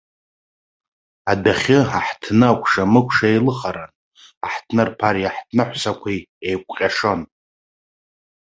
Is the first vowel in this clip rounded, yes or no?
no